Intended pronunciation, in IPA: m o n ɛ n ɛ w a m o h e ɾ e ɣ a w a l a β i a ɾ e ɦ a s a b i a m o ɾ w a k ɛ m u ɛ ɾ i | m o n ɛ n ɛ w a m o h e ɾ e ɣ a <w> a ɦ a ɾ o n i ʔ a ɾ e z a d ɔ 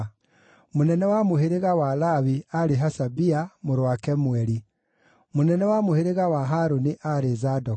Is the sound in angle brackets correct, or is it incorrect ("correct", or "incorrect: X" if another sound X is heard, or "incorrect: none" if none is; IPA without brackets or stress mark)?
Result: correct